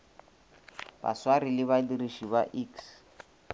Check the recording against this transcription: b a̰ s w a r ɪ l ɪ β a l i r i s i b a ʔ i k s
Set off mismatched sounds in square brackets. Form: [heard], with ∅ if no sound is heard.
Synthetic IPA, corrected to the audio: b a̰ s w a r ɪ l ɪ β a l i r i [ʃ] i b a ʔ i k s